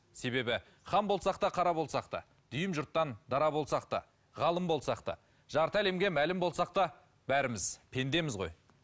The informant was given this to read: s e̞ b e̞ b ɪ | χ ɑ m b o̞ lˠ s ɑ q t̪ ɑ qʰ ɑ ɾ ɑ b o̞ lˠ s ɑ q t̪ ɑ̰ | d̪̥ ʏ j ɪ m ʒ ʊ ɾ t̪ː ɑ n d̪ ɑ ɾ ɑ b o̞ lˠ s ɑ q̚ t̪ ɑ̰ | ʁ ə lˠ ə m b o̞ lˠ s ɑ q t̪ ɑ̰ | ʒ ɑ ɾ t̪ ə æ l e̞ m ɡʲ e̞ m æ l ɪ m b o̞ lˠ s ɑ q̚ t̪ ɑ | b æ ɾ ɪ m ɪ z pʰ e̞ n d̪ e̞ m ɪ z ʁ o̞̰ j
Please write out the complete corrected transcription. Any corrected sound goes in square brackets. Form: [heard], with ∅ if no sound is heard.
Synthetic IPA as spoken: s e̞ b e̞ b ɪ | χ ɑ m b o̞ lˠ s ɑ q t̪ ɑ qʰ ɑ ɾ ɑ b o̞ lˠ s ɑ q t̪ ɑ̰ | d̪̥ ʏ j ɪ m ʒ ʊ ɾ t̪ː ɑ n d̪ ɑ ɾ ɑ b o̞ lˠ s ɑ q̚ t̪ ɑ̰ | ʁ [ɑ] lˠ ə m b o̞ lˠ s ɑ q t̪ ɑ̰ | ʒ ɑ ɾ t̪ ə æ l e̞ m ɡʲ e̞ m æ l ɪ m b o̞ lˠ s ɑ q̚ t̪ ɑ | b æ ɾ ɪ m ɪ z pʰ e̞ n d̪ e̞ m ɪ z ʁ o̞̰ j